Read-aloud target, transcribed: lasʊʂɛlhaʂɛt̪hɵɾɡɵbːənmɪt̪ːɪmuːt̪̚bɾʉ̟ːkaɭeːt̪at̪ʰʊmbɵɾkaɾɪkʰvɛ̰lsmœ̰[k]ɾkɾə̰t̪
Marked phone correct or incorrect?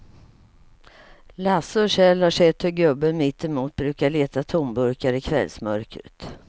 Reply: incorrect: none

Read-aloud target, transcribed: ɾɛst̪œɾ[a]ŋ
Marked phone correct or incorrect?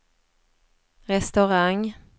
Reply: correct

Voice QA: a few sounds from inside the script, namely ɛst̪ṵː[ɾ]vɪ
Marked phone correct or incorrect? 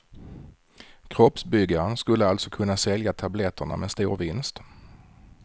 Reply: correct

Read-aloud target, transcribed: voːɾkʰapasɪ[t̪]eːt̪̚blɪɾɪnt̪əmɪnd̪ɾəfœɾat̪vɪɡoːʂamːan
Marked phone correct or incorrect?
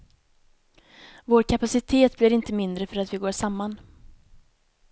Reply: incorrect: t̪ʰ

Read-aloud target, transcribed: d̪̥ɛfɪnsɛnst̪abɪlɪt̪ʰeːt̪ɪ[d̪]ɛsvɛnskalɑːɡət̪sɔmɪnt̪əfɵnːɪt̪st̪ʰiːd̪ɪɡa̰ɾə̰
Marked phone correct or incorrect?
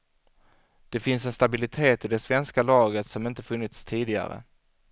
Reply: correct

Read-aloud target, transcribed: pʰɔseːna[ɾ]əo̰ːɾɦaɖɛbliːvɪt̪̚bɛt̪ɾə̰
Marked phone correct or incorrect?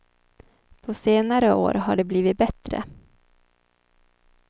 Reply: correct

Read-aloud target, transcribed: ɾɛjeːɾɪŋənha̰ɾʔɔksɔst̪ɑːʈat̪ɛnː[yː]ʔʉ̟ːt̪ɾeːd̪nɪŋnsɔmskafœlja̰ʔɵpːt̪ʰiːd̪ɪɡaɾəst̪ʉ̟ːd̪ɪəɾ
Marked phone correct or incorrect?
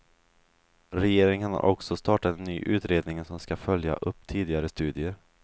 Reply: correct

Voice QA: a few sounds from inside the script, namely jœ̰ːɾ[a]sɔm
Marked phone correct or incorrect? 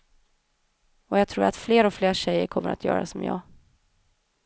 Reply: correct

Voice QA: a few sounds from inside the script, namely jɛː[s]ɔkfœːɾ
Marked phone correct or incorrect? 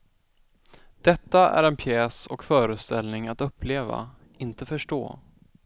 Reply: correct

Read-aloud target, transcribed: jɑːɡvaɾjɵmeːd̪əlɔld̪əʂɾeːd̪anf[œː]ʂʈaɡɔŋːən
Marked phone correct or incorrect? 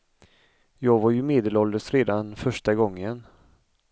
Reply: incorrect: œ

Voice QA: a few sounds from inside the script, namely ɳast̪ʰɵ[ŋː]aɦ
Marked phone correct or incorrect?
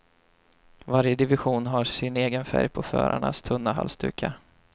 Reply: incorrect: nː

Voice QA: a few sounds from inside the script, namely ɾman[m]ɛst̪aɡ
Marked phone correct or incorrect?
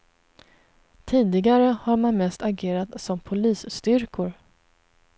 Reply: correct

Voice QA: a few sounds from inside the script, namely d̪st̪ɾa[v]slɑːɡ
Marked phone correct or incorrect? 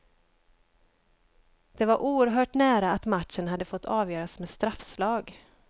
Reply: incorrect: f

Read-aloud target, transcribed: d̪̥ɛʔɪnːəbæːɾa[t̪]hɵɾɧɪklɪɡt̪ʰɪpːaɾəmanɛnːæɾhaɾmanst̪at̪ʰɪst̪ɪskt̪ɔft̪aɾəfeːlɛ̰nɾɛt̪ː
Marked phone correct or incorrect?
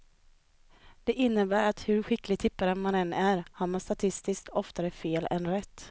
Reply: correct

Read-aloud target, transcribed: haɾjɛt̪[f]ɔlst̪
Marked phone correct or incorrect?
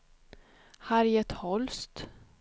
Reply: incorrect: h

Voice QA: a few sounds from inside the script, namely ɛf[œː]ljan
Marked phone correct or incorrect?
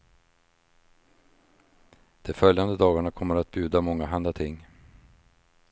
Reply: incorrect: œ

